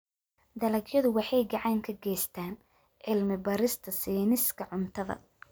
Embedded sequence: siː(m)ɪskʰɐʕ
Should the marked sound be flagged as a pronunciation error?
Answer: yes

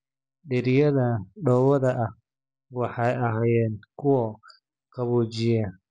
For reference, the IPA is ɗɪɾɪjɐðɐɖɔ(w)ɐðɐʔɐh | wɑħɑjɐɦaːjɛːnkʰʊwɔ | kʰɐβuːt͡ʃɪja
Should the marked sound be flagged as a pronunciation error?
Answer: no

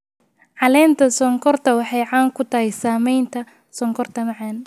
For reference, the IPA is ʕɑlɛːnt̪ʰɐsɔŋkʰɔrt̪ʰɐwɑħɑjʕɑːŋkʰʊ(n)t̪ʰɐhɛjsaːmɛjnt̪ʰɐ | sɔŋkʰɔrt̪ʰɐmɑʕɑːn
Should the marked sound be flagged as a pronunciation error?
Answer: yes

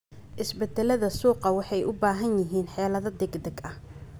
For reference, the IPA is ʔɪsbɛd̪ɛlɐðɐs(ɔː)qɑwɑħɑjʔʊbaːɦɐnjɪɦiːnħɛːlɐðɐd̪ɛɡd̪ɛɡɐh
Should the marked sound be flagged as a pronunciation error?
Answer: yes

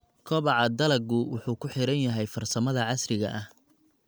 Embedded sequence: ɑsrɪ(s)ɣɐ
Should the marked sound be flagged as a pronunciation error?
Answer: yes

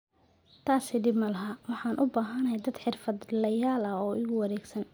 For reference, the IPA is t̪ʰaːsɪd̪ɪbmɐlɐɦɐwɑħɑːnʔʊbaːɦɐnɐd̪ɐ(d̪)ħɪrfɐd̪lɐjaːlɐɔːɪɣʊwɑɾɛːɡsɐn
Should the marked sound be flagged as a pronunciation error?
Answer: no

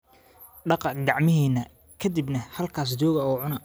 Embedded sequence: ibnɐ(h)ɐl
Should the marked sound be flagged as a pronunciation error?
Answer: no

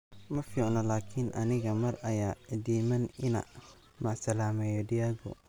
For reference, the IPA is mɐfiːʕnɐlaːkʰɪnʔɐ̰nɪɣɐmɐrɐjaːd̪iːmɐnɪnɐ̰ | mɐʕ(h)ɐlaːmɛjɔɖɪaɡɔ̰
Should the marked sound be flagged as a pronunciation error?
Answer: yes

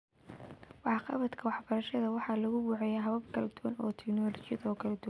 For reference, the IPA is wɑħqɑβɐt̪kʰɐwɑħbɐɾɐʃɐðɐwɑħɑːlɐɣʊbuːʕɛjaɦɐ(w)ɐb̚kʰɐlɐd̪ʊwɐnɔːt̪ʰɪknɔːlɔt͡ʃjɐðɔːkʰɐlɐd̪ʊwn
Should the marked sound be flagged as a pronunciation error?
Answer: yes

